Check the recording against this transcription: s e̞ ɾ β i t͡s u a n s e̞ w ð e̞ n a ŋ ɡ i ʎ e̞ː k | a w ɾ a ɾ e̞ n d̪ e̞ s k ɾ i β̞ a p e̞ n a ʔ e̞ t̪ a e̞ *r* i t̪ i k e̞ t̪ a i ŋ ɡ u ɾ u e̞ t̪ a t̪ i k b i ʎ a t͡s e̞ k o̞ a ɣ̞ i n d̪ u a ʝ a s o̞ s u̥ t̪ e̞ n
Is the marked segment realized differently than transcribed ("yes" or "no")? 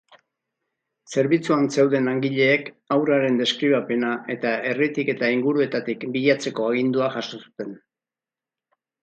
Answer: no